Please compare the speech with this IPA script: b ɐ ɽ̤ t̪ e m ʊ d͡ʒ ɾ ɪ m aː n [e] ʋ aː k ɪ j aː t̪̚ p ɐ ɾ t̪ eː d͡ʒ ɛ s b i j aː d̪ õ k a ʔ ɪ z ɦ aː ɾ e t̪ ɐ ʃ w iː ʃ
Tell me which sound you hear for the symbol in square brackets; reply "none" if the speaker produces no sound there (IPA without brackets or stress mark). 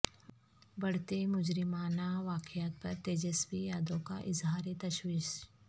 a